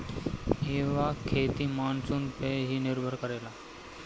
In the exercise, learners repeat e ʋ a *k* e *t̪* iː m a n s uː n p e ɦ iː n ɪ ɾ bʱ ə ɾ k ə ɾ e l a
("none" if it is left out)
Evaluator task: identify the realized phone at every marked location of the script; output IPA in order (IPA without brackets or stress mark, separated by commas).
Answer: kʰ, t̪